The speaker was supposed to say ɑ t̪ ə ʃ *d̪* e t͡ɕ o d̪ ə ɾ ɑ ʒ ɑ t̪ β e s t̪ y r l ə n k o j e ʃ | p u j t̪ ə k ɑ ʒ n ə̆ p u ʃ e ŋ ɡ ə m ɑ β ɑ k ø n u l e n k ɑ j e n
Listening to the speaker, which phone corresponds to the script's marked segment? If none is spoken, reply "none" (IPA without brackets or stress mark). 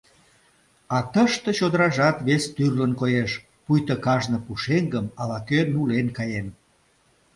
t̪